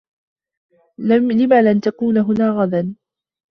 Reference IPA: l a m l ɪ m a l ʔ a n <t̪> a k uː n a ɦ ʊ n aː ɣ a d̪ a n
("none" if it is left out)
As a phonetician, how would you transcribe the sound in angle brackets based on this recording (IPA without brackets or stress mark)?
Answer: t̪